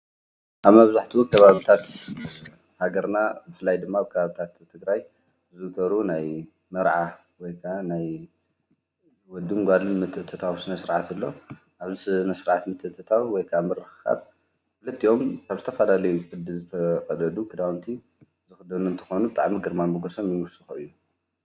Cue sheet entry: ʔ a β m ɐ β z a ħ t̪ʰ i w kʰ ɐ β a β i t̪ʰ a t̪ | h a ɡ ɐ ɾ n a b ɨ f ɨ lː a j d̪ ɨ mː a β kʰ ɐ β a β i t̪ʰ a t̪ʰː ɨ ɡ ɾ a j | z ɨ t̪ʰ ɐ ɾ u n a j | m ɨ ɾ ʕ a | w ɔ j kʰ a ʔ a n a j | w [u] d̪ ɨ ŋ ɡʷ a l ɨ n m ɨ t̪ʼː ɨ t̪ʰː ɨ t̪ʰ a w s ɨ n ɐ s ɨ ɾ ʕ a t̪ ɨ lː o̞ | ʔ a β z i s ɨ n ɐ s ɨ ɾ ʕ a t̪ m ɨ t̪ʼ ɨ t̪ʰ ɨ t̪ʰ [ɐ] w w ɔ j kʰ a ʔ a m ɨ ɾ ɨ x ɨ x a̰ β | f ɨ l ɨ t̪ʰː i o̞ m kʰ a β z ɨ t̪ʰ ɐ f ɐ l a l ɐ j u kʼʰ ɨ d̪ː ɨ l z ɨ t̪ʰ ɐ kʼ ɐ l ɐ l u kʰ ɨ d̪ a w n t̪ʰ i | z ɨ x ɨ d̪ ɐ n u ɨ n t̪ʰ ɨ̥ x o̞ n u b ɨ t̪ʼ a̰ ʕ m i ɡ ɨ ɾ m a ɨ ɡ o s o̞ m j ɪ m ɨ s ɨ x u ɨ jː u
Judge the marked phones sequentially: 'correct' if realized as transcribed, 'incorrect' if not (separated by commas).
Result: incorrect, incorrect